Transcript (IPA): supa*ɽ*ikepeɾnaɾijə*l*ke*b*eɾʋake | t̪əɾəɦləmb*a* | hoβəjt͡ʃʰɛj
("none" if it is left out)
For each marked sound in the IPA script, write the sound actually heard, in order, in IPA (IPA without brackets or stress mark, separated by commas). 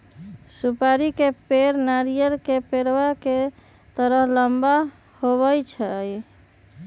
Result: ɾ, ɾ, p, a